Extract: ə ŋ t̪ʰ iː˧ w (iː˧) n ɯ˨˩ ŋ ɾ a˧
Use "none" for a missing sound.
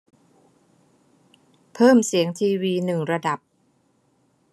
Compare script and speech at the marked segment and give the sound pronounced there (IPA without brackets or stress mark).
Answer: iː˧